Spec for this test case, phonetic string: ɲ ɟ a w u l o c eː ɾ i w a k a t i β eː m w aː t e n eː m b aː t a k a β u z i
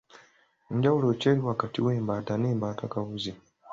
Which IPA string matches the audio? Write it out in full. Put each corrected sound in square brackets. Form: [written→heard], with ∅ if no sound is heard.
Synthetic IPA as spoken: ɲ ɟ a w u l o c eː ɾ i w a k a t i [β→w] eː m [w→b] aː t [e→a] n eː m b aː t a k a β u z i